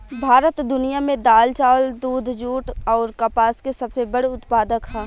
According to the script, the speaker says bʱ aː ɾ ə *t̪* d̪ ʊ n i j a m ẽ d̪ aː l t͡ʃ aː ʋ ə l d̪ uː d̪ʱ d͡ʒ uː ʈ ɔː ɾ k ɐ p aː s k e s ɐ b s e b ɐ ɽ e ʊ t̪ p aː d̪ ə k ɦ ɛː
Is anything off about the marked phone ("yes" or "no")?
no